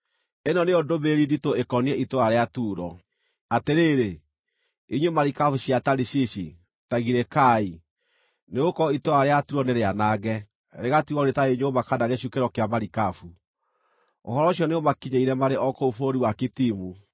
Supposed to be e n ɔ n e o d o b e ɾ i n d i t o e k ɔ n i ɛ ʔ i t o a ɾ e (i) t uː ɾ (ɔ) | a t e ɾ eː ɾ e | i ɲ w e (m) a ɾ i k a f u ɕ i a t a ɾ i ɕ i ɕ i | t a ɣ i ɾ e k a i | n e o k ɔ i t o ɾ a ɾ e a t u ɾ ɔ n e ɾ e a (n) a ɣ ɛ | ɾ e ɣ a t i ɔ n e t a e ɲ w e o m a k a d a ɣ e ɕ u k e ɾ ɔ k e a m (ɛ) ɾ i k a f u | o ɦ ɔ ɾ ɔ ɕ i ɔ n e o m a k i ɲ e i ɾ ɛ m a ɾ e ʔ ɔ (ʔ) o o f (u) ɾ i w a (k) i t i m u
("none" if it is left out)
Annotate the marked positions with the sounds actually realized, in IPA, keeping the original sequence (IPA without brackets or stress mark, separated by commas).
a, ɔ, m, n, a, k, o, k